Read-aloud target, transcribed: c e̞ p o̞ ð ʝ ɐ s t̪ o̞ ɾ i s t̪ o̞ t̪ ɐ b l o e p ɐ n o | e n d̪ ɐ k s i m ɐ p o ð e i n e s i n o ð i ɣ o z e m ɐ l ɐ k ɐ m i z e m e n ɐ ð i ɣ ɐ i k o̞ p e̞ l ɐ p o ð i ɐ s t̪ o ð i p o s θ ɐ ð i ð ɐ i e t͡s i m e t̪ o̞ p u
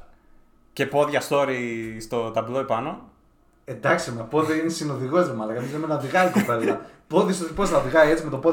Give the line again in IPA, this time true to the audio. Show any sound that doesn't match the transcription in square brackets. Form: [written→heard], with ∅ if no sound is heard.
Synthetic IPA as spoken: c e̞ p o̞ ð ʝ ɐ s t̪ o̞ ɾ i s t̪ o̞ t̪ ɐ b l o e p ɐ n o | e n d̪ ɐ k s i m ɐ p o ð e i n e s i n o ð i ɣ o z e m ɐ l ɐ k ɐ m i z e m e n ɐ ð i ɣ ɐ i k o̞ p e̞ l ɐ p o ð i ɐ s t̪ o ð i p o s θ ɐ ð i [ð→ɣ] ɐ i e t͡s i m e t̪ o̞ p [u→o]